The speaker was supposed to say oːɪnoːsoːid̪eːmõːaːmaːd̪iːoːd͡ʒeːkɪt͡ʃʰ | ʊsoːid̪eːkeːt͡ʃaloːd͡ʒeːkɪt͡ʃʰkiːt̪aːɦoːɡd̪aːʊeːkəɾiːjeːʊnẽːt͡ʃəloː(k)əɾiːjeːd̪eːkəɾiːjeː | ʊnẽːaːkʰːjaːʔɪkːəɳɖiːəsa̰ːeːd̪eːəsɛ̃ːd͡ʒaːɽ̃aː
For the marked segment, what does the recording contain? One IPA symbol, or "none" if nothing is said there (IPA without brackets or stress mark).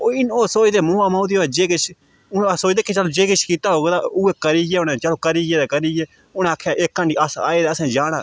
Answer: k